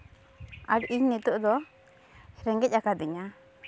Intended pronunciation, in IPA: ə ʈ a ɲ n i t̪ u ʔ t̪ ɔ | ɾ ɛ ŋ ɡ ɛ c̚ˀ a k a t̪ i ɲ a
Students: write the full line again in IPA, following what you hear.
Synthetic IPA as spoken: a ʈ i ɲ n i t̪ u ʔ d̪ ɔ | ɾ ɛ ŋ ɡ ɛ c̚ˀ a k a d̪ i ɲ a